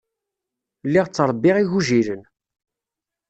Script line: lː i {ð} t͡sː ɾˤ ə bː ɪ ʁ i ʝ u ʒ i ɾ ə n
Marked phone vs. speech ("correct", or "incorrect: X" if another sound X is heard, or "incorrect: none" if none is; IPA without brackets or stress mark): incorrect: ʁ